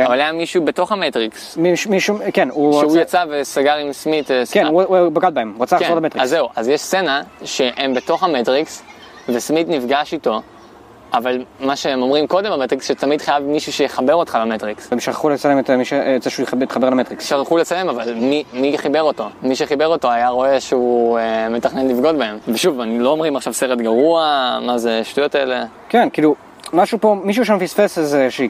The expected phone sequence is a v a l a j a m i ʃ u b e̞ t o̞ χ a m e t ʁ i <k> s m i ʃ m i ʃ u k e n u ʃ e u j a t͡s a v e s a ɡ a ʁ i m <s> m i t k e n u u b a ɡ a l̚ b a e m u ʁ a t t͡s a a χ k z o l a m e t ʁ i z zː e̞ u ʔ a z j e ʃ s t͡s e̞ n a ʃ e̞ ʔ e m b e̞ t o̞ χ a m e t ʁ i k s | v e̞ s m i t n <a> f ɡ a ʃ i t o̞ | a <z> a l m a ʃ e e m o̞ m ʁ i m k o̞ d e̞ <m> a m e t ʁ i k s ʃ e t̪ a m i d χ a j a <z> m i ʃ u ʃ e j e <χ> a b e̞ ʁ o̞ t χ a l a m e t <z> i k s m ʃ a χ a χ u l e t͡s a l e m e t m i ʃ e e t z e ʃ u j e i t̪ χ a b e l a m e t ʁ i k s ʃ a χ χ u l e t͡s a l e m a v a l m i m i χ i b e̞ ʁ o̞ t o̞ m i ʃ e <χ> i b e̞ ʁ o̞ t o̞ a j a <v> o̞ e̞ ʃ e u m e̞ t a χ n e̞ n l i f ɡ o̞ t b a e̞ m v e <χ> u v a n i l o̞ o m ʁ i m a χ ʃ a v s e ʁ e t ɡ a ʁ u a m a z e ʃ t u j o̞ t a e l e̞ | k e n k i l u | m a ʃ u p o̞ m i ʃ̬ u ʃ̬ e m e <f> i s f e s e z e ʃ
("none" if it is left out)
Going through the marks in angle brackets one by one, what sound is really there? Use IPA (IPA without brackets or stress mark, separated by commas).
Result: k, s, i, v, m, v, χ, ʁ, χ, ʁ, ʃ, f